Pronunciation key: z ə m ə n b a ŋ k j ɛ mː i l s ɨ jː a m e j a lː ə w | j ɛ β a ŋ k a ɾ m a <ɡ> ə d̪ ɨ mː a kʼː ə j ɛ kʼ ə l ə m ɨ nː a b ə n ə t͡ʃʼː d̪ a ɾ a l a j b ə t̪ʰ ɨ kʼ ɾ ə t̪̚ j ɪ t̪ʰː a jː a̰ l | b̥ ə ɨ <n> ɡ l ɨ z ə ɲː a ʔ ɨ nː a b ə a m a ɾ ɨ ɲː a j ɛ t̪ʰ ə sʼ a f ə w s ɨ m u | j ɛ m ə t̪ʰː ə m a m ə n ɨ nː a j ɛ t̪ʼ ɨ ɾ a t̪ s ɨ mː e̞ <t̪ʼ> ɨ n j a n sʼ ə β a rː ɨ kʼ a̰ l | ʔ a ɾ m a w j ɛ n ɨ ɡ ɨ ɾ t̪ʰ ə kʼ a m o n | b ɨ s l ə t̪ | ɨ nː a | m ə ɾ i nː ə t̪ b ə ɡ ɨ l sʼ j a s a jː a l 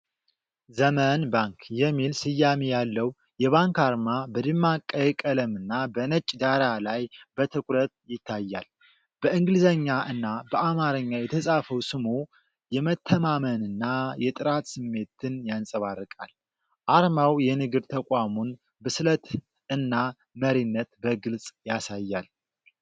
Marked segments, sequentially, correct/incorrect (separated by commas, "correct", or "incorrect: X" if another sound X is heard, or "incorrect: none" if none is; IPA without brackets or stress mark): incorrect: b, incorrect: ŋ, incorrect: t̪